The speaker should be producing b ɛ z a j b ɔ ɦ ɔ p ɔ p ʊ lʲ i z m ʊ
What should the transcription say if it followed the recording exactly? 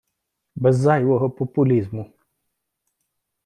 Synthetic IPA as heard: b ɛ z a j w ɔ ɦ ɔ p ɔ p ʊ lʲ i z m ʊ